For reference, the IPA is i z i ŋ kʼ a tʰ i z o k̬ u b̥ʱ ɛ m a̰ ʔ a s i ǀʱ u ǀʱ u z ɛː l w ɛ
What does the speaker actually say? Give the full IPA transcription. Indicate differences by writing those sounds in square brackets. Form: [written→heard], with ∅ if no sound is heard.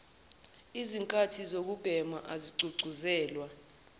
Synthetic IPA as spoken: i z i ŋ kʼ a tʰ i z o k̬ u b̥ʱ ɛ m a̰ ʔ a [s→z] i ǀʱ u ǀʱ u z ɛː l w [ɛ→a]

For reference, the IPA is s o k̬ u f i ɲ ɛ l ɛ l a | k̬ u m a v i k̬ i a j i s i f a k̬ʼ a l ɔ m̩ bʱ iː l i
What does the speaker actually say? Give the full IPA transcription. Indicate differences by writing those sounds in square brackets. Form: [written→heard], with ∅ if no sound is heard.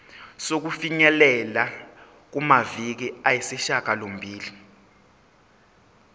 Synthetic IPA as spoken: s o k̬ u f i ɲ ɛ l ɛ l a | k̬ u m a v i k̬ i a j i s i [f→ʃ] a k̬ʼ a l [ɔ→o] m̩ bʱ iː l i

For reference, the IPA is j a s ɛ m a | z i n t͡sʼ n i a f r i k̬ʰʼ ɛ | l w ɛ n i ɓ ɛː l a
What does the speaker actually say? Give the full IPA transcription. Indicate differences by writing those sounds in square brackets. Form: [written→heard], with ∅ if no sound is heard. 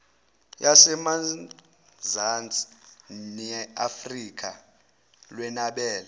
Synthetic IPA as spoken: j a s ɛ m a | z [i→a] n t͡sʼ n [i→ɛ] a f r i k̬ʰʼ [ɛ→a] | l w ɛ n [i→a] ɓ ɛː l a

